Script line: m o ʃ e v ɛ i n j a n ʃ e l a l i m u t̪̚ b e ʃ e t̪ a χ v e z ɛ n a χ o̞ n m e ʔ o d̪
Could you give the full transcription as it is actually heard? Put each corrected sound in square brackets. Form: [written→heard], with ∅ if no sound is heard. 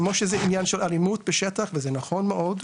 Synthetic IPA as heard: m o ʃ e [v→z] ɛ i n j a n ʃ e l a l i m u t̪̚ b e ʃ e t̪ a χ v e z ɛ n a χ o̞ n m e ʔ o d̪